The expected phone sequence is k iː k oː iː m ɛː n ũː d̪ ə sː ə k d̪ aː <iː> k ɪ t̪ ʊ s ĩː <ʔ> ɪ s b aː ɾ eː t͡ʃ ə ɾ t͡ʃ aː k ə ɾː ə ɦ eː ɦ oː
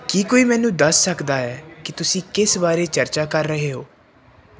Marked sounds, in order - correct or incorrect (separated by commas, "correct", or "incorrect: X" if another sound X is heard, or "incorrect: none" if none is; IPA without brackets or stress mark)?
incorrect: ɛː, incorrect: k